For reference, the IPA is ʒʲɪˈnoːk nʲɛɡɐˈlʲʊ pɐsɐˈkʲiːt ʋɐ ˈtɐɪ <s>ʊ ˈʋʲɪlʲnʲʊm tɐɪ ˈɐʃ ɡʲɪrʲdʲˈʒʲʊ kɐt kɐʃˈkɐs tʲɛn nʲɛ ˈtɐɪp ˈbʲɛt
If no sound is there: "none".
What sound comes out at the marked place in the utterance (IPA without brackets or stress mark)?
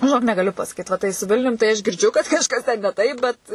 s